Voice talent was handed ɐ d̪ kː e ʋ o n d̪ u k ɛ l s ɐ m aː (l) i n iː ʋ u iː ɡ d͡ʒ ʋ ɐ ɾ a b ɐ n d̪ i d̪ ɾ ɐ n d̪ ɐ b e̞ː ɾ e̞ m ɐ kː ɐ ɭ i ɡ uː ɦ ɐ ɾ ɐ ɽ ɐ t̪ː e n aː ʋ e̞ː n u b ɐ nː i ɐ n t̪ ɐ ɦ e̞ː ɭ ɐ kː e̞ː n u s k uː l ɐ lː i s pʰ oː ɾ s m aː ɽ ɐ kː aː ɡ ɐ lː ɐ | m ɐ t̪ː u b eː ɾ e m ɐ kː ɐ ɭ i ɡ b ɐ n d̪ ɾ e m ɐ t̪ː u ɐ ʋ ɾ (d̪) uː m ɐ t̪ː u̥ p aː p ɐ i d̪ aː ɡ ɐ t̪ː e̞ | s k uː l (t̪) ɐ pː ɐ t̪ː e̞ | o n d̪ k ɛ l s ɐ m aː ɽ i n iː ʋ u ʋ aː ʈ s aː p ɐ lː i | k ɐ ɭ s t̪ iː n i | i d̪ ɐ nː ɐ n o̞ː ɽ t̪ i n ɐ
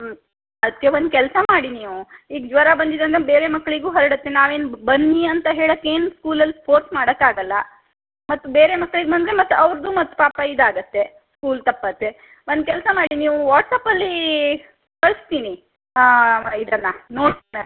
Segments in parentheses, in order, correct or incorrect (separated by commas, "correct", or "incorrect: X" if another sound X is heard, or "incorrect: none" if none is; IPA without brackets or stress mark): incorrect: ɽ, correct, correct